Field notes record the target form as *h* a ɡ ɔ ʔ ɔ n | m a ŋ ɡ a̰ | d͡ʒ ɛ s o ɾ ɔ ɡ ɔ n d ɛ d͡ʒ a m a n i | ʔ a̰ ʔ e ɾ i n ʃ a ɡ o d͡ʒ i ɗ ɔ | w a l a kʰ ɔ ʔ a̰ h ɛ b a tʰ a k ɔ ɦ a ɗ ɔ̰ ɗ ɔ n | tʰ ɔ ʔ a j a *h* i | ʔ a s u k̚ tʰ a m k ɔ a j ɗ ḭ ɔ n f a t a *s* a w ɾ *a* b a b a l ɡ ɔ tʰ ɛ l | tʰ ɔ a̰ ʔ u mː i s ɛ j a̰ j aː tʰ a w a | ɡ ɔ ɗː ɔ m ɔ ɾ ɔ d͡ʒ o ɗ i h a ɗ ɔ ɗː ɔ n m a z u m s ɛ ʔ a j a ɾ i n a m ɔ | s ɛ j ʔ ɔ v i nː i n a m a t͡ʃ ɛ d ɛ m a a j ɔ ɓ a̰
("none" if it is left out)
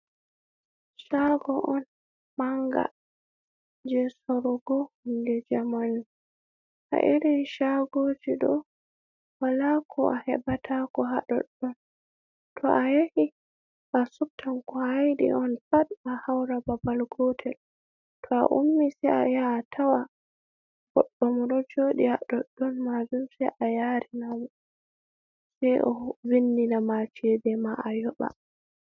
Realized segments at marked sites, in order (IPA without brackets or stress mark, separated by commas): ʃ, h, h, a